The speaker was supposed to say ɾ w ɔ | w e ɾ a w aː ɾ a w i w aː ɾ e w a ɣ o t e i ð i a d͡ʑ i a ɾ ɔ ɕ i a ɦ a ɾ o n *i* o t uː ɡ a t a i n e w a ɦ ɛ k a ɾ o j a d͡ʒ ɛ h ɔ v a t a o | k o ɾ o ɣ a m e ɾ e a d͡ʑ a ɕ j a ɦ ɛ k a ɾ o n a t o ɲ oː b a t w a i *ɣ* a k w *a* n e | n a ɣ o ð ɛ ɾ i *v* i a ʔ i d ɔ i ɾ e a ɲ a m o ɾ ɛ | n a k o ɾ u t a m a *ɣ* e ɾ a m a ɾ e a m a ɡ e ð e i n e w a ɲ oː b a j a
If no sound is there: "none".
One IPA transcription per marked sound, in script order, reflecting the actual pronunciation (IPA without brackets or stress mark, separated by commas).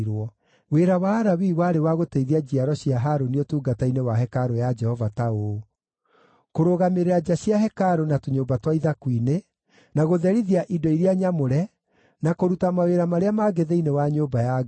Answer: i, ð, i, ð, w